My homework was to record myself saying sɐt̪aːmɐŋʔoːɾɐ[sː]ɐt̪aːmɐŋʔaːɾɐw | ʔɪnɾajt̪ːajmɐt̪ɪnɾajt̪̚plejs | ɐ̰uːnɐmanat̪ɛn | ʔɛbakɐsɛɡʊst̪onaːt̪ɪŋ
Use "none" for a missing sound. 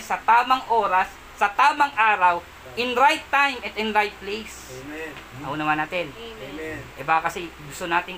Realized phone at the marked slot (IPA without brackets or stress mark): sː